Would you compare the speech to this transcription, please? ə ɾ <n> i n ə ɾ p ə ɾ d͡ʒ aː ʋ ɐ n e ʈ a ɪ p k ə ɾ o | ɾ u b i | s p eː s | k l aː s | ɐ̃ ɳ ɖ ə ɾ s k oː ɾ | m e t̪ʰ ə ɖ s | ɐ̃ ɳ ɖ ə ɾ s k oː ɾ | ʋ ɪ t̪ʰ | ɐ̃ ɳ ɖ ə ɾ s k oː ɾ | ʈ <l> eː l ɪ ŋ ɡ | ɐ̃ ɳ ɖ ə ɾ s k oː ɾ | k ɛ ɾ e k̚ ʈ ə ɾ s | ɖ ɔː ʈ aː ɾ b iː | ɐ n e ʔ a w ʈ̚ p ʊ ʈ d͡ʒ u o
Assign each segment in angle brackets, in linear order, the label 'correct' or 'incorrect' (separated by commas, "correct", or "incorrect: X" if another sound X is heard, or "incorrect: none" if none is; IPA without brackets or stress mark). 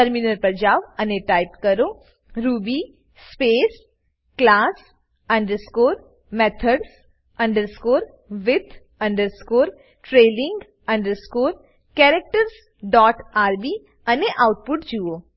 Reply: incorrect: m, incorrect: ɾ